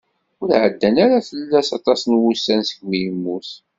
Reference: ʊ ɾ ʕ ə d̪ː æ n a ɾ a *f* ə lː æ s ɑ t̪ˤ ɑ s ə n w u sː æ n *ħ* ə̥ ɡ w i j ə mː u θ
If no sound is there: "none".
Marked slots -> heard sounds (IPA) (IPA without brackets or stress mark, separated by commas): θ, s